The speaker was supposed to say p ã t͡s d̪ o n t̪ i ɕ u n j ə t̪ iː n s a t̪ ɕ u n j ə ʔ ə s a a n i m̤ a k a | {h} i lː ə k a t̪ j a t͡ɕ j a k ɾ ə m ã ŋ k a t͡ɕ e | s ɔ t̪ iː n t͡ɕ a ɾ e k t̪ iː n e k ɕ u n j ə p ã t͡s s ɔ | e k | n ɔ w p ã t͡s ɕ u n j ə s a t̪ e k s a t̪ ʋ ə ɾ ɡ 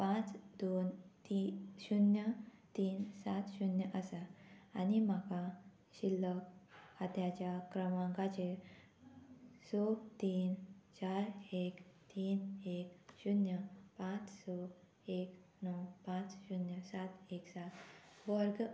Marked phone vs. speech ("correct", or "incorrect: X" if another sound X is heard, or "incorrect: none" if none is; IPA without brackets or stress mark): incorrect: ɕ